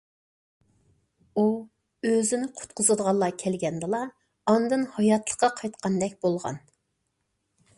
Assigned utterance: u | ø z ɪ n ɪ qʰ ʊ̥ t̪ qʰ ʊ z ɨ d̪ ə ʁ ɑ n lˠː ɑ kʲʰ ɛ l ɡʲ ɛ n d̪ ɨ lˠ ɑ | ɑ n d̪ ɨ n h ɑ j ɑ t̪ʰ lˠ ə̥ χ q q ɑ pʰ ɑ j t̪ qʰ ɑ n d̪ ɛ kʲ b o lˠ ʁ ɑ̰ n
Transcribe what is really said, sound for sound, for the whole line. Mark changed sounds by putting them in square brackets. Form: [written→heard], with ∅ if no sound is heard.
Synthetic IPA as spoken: u | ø z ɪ n ɪ qʰ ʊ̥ t̪ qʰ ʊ z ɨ d̪ ə ʁ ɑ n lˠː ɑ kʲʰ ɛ l ɡʲ ɛ n d̪ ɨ lˠ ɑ | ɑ n d̪ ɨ n h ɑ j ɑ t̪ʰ lˠ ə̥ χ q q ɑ [pʰ→qʰ] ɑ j t̪ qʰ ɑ n d̪ ɛ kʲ b o lˠ ʁ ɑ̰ n